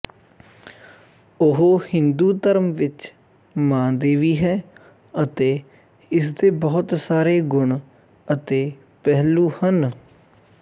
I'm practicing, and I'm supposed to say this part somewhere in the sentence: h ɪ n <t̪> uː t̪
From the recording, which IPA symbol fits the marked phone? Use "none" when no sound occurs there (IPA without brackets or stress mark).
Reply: d̪